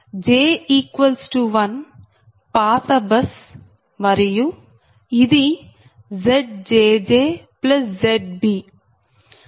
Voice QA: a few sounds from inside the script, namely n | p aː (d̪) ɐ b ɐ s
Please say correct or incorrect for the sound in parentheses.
incorrect